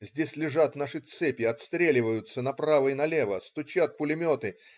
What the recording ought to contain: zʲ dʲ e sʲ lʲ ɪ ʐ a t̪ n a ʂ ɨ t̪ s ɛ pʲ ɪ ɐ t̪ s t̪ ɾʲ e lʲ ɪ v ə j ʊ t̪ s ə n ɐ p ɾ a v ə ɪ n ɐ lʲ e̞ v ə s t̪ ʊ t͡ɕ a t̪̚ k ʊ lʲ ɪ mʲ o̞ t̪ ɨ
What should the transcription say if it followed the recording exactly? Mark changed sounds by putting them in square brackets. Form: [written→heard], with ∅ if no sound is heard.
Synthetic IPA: zʲ dʲ e sʲ lʲ ɪ ʐ a t̪ n a ʂ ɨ t̪ s ɛ pʲ ɪ ɐ t̪ s t̪ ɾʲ e lʲ ɪ v ə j ʊ t̪ s ə n ɐ p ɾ a v ə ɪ n ɐ lʲ e̞ v ə s t̪ ʊ t͡ɕ a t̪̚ [k→p] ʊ lʲ ɪ mʲ o̞ t̪ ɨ